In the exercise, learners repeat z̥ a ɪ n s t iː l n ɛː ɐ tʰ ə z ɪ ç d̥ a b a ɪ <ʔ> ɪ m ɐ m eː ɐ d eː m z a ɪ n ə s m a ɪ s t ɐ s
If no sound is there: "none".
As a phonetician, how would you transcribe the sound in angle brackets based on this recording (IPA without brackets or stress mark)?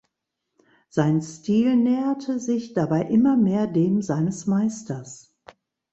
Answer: ʔ